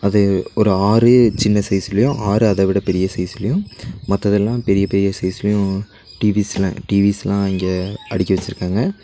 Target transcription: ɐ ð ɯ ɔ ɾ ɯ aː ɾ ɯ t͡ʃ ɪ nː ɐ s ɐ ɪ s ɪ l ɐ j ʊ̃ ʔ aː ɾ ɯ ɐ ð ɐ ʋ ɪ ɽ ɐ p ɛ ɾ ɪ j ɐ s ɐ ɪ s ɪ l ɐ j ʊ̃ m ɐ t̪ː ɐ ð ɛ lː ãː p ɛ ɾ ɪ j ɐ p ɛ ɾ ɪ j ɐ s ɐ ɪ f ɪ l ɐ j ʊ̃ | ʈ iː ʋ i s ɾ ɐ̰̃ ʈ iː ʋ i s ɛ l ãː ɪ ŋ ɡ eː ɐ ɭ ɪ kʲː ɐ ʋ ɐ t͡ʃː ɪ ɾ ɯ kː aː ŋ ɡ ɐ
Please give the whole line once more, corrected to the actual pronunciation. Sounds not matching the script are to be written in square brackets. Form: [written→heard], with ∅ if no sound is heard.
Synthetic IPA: ɐ ð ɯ ɔ ɾ ɯ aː ɾ ɯ t͡ʃ ɪ nː ɐ s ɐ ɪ s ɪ l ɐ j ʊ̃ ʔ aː ɾ ɯ ɐ ð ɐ ʋ ɪ ɽ ɐ p ɛ ɾ ɪ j ɐ s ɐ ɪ s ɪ l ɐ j ʊ̃ m ɐ t̪ː ɐ ð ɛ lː ãː p ɛ ɾ ɪ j ɐ p ɛ ɾ ɪ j ɐ s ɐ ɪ [f→s] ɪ l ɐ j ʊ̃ | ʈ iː ʋ i s [ɾ→l] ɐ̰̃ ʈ iː ʋ i s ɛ l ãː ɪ ŋ ɡ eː ɐ [ɭ→ɽ] ɪ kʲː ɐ ʋ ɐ t͡ʃː ɪ ɾ ɯ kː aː ŋ ɡ ɐ